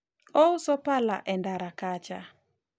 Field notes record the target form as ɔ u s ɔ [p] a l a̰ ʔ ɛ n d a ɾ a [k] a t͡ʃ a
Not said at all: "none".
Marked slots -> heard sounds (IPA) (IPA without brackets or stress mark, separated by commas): p, k